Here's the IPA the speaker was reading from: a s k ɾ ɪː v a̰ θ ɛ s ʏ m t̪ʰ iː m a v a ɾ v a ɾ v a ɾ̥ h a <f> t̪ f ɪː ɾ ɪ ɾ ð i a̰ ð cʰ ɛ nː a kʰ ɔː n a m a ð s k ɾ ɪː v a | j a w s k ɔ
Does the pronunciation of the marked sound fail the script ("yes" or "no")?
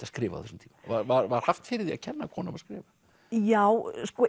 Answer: no